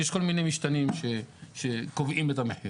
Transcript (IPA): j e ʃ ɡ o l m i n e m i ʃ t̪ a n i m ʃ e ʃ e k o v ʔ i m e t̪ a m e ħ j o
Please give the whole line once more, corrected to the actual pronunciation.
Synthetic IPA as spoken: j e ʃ k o l m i n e m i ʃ t̪ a n i m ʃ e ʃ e k o v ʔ i m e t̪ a m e ħ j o